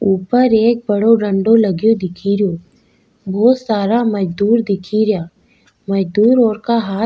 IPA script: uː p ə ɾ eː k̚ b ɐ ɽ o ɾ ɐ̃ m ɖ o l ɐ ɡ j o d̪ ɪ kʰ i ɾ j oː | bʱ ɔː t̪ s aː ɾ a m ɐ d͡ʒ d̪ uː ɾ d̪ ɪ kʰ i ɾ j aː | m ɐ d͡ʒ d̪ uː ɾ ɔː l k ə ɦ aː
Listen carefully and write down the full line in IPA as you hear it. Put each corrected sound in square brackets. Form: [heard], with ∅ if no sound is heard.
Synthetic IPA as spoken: uː p ə ɾ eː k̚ b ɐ ɽ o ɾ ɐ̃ [ɳ] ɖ o l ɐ ɡ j o d̪ ɪ kʰ i ɾ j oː | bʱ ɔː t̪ s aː ɾ a m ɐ d͡ʒ d̪ uː ɾ d̪ ɪ kʰ i ɾ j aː | m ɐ d͡ʒ d̪ uː ɾ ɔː [ɾ] k [a] ɦ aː